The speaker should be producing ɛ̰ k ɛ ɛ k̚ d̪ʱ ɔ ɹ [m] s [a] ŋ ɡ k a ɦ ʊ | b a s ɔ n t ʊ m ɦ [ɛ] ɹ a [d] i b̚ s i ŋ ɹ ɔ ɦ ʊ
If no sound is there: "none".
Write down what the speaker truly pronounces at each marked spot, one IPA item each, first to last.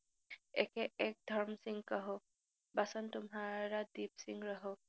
m, i, a, d

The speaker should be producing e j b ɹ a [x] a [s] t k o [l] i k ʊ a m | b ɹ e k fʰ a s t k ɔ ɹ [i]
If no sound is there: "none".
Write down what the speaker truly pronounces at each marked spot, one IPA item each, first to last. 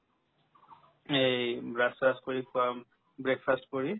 s, s, ɹ, i

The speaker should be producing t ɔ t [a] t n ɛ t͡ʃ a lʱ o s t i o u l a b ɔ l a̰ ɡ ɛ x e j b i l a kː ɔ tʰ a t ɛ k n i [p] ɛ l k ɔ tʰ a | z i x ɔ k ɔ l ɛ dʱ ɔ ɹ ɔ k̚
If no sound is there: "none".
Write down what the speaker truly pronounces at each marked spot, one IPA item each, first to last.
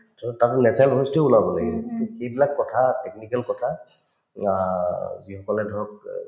a, k

